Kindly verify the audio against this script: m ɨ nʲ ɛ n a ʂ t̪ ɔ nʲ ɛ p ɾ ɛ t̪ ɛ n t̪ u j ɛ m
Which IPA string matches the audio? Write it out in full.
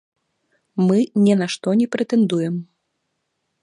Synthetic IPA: m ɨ nʲ ɛ n a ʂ t̪ ɔ nʲ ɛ p ɾ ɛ t̪ ɛ n d̪ u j ɛ m